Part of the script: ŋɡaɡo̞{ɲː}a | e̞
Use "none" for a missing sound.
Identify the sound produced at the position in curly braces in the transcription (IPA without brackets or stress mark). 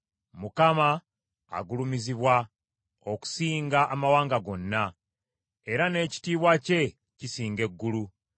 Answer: nː